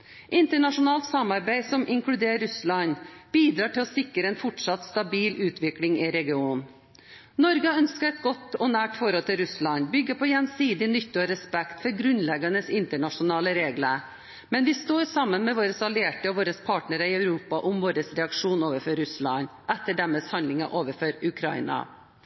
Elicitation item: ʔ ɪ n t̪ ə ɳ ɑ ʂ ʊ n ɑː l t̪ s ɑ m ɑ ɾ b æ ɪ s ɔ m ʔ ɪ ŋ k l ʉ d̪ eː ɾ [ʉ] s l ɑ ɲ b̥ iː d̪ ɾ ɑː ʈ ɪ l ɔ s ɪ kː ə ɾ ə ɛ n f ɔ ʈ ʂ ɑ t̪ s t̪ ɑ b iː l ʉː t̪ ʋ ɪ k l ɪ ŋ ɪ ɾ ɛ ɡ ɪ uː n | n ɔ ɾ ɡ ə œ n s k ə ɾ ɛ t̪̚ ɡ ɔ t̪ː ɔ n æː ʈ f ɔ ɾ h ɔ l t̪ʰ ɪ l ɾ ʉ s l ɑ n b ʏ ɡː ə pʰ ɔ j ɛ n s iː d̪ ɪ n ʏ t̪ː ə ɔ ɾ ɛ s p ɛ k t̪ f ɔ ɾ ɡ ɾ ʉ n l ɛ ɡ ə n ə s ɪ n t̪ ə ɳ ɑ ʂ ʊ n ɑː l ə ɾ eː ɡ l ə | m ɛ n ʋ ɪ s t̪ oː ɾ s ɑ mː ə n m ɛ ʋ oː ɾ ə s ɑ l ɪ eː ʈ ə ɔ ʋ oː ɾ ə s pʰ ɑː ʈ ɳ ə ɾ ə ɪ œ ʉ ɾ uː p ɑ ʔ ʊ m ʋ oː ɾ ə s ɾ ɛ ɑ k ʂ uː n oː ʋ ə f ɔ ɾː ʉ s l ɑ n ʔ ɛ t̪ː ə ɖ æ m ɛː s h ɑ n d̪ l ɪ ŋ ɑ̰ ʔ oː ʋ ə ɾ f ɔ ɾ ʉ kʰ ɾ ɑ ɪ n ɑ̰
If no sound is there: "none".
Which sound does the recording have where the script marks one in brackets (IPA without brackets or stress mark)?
ʉ